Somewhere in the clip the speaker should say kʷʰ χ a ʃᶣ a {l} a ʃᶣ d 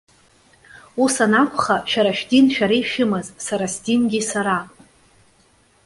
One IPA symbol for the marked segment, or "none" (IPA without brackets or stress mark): ɾ